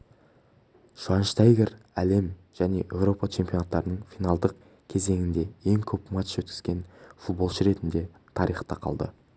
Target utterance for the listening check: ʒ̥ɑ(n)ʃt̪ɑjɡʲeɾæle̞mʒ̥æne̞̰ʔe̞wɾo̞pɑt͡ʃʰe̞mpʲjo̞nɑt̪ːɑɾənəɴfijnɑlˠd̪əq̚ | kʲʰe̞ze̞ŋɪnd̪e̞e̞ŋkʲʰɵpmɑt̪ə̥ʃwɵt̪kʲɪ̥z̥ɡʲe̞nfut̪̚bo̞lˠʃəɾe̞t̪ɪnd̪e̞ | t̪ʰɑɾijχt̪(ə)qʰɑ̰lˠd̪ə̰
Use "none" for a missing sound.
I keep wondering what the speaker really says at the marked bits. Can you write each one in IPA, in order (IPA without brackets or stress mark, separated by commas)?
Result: n, ɑ